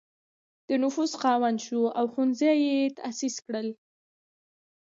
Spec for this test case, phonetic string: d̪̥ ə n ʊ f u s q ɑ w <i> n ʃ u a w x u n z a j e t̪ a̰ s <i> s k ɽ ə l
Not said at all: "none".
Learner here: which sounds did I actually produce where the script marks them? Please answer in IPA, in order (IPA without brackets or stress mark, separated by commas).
a, i